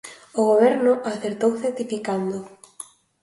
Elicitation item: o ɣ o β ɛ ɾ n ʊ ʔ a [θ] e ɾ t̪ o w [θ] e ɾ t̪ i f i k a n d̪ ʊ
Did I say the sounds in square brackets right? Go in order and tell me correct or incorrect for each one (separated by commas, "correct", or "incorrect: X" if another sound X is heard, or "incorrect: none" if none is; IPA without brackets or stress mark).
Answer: correct, correct